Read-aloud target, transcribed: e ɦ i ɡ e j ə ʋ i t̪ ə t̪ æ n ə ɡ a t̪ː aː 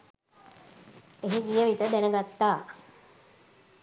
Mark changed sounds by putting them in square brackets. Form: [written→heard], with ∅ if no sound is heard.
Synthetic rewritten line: e ɦ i ɡ [e→i] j ə ʋ i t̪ ə [t̪→d̪] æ n ə ɡ a t̪ː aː